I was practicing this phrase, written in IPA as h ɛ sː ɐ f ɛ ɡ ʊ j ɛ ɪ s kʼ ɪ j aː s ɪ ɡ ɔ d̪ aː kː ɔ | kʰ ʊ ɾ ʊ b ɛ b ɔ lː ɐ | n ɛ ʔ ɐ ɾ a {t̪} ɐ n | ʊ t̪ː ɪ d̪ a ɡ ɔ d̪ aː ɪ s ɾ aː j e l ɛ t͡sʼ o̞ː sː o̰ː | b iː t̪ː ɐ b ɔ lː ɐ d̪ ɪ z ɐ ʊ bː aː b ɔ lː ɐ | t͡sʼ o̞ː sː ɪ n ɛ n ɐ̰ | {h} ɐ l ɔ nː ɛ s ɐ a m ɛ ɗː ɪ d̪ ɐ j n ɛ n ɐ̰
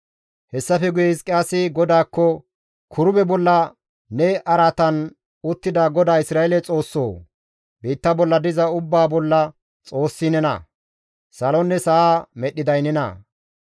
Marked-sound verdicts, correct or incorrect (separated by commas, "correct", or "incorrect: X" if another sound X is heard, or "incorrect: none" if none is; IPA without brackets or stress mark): correct, incorrect: s